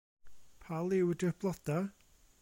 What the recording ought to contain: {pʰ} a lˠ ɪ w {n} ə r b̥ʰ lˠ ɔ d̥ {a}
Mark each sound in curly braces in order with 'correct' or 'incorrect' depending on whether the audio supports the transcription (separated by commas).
correct, incorrect, correct